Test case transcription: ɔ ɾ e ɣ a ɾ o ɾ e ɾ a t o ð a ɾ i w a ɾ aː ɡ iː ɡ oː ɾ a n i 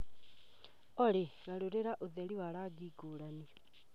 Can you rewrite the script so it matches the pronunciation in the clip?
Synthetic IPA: ɔ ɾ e ɣ a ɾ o ɾ e ɾ a ʔ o ð ɛ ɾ i w a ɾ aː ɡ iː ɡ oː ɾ a n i